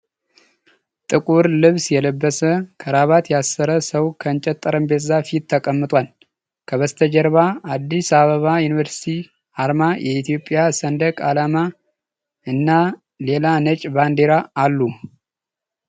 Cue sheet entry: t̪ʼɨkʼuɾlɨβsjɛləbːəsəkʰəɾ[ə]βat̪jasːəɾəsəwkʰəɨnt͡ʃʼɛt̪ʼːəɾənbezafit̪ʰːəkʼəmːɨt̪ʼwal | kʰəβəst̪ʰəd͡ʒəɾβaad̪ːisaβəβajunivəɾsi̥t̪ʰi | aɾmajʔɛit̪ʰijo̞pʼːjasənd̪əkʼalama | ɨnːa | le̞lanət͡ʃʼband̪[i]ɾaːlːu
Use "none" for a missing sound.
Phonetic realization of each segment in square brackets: a, e

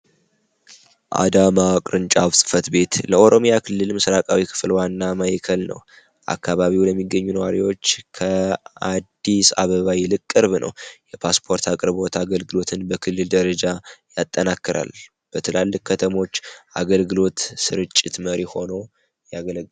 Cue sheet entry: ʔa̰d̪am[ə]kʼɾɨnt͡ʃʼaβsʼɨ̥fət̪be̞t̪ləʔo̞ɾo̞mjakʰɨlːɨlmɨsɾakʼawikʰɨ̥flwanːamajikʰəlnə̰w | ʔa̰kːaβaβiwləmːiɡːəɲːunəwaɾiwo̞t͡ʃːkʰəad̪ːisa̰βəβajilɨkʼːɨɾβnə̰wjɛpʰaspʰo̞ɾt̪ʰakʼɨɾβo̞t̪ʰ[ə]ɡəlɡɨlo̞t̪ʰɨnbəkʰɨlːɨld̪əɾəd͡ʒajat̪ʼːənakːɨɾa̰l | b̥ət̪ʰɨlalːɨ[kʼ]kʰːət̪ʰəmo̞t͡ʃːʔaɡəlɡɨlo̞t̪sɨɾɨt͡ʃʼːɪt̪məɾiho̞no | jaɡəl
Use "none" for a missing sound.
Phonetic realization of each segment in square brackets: a, a, k

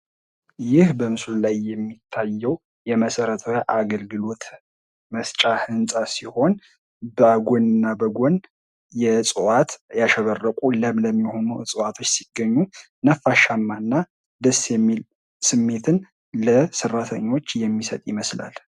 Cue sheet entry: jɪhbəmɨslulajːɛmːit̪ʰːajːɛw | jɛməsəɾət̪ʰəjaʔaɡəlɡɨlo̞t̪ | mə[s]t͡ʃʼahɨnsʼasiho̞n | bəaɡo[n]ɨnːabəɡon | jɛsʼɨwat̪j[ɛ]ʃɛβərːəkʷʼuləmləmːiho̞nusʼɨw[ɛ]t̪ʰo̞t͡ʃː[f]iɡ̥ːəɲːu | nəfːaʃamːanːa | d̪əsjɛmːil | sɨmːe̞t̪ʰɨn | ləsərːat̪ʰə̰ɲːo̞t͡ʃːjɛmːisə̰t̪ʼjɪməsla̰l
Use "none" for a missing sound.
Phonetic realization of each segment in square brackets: s, n, a, a, s

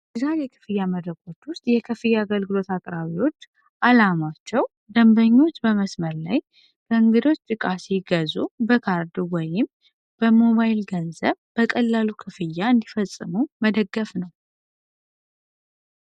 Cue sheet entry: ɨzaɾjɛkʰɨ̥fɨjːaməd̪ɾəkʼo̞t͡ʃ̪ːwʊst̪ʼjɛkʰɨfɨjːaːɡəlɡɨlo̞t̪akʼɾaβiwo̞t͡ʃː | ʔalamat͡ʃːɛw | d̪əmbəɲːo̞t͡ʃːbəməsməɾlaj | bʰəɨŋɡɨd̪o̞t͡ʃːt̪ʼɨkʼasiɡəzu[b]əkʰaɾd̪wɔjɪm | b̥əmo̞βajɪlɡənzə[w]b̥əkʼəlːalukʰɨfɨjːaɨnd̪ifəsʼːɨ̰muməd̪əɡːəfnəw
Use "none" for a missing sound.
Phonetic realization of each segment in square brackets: b, β

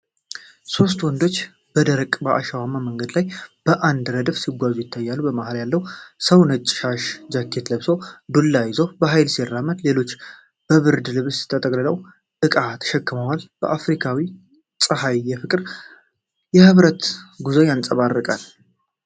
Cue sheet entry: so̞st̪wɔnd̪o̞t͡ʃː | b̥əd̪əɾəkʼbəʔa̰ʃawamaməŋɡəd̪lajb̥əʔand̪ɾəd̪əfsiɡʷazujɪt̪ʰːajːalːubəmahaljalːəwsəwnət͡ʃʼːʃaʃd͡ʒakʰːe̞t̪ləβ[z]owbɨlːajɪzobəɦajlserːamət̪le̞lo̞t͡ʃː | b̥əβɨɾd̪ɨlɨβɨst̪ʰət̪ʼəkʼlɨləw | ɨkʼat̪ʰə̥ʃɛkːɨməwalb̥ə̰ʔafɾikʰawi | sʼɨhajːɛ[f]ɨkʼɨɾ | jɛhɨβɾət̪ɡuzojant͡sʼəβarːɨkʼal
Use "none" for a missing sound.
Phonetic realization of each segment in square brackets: s, f

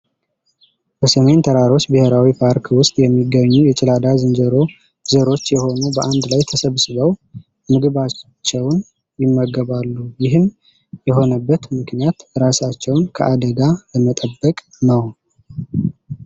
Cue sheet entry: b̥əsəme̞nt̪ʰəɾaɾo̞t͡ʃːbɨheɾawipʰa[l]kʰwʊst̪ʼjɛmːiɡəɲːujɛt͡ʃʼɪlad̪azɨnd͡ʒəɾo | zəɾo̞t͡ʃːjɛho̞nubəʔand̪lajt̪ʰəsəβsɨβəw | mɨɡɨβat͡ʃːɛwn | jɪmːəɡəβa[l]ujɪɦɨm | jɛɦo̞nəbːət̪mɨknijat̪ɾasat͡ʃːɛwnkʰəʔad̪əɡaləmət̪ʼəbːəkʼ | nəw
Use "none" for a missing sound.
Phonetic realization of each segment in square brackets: ɾ, lː

